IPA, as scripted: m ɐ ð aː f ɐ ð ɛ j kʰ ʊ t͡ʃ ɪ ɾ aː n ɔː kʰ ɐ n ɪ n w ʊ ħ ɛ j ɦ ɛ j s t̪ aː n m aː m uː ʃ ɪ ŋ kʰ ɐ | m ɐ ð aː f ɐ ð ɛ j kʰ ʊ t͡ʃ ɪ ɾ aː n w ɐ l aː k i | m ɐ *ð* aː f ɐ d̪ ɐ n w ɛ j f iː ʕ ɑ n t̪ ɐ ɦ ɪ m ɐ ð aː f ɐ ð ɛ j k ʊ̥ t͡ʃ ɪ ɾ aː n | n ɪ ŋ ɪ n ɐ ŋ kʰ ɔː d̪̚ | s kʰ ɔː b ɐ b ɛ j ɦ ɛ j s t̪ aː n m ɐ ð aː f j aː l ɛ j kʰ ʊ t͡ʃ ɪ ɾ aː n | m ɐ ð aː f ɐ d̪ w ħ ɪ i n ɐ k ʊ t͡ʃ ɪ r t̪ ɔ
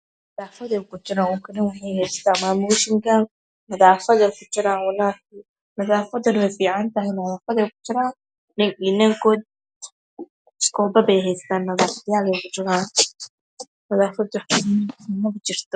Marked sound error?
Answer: no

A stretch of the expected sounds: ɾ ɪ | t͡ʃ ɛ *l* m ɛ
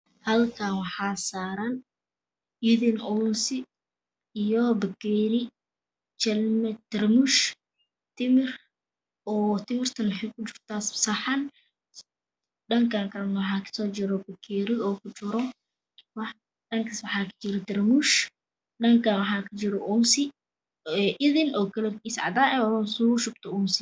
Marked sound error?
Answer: no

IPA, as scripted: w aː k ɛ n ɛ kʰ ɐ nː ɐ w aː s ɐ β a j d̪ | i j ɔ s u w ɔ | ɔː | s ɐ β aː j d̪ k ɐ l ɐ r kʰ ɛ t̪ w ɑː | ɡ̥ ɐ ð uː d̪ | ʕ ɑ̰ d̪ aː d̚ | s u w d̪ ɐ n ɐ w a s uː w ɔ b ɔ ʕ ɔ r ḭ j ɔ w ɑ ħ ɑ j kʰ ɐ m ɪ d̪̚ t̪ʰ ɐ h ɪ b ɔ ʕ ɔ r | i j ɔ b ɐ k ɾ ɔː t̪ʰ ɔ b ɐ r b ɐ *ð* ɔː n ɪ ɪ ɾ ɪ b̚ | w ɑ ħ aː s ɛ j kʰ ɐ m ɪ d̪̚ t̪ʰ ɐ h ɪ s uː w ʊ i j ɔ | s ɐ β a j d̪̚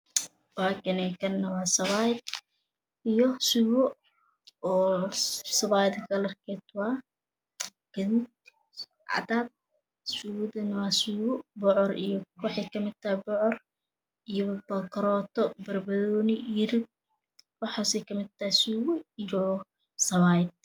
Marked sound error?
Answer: no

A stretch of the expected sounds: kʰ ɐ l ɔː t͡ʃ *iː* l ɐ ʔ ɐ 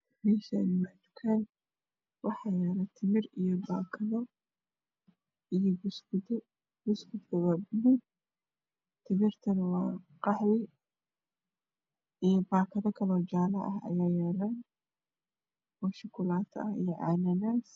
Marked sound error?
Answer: yes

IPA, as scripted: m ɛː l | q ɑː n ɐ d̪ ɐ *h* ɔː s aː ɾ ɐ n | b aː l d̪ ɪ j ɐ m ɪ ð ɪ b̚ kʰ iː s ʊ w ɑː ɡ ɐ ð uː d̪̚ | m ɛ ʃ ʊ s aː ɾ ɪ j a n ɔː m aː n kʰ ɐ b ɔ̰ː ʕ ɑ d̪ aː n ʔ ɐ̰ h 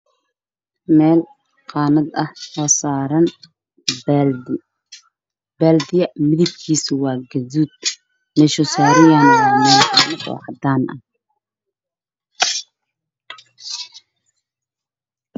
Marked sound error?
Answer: no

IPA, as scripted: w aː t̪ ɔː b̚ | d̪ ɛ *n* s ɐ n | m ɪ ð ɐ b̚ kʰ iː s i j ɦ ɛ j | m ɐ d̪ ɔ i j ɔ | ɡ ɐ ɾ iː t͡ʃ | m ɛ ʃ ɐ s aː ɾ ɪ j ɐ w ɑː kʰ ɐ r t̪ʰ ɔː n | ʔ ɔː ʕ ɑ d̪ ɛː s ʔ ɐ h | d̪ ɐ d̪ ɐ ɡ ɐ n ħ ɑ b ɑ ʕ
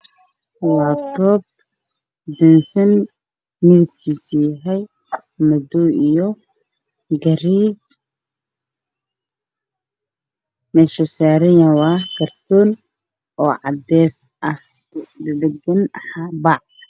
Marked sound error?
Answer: no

